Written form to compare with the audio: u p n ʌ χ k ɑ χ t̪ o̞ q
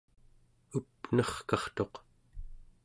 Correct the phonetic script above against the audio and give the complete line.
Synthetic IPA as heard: u p n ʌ χ k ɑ χ t̪ o̞ q